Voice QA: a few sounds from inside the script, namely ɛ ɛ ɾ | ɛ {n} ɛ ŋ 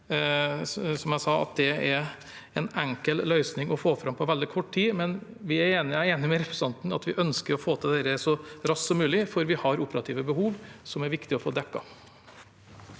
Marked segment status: correct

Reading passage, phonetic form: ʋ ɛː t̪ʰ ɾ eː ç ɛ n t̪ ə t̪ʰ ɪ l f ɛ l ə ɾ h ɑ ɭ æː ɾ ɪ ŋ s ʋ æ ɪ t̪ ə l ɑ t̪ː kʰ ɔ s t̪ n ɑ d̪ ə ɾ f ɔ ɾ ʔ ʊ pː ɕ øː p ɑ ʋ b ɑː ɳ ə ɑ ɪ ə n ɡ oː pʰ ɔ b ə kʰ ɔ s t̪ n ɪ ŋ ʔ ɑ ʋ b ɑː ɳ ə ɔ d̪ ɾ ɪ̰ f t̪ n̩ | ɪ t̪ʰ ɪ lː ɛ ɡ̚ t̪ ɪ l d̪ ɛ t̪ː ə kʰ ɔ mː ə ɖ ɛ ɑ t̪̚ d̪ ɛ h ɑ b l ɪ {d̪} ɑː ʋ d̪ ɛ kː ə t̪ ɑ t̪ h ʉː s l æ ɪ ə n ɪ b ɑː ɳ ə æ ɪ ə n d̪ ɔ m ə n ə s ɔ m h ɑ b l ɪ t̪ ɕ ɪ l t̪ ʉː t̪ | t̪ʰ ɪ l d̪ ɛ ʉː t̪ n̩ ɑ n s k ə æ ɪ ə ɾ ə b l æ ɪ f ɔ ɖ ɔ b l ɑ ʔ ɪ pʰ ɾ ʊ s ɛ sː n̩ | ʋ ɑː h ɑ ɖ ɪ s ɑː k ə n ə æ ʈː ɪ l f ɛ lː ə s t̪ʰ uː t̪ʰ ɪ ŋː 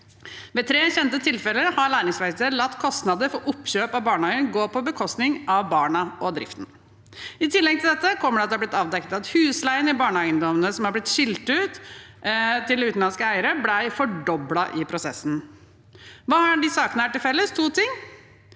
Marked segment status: incorrect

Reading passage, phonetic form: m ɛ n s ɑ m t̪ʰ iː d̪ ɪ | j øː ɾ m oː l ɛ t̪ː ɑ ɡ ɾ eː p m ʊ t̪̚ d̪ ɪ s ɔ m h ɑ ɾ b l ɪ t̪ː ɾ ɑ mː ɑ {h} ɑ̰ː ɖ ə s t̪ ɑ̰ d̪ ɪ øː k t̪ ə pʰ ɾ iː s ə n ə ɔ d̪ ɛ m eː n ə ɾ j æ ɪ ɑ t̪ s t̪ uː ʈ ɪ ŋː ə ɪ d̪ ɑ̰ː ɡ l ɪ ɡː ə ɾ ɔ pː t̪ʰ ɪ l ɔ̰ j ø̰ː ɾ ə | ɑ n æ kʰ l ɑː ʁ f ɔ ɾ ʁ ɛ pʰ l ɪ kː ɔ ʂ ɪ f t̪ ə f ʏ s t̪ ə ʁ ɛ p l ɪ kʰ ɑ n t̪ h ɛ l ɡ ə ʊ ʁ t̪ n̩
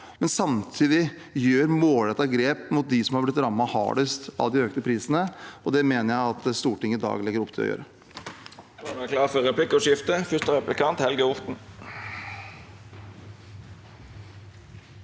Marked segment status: correct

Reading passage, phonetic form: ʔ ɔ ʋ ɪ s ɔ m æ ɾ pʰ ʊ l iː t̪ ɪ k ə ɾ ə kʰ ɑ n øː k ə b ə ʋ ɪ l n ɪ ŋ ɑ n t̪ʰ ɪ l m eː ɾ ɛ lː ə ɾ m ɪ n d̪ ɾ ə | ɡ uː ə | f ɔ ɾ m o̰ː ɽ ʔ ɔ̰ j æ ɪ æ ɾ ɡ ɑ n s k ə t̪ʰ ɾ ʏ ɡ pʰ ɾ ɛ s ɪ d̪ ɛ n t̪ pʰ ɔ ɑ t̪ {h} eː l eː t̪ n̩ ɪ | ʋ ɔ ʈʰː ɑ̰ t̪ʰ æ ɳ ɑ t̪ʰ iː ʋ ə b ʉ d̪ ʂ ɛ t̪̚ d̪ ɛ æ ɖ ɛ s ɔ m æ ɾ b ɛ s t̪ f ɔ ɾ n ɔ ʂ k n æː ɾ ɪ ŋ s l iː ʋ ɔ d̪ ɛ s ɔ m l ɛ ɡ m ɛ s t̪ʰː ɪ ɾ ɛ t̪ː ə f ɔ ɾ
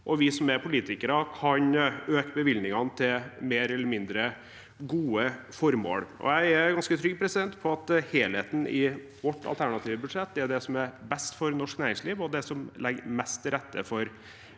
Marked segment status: correct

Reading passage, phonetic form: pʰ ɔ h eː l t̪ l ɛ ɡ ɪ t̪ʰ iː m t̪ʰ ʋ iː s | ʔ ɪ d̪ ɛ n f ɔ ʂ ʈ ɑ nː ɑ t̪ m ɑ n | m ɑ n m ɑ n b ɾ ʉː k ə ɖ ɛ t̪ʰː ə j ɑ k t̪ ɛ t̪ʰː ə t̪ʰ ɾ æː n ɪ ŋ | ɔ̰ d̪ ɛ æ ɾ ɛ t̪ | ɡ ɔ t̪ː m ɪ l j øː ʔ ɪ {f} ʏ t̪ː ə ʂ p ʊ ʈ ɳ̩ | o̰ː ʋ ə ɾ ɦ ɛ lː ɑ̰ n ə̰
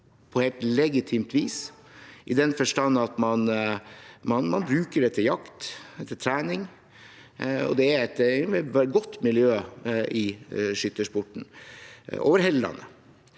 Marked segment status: incorrect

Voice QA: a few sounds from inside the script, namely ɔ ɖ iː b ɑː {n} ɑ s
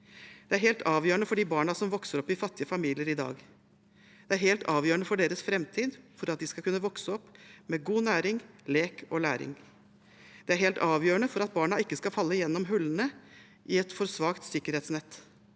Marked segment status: incorrect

